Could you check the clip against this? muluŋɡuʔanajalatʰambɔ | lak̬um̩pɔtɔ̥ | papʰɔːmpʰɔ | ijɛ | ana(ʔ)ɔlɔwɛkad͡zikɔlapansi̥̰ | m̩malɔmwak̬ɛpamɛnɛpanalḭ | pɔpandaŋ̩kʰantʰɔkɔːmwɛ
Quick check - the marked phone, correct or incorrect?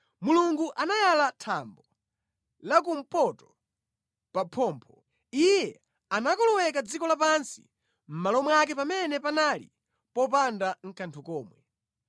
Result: incorrect: k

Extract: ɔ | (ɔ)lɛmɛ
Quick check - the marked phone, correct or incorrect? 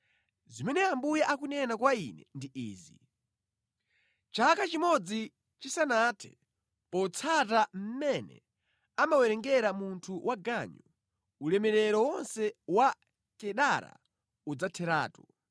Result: incorrect: u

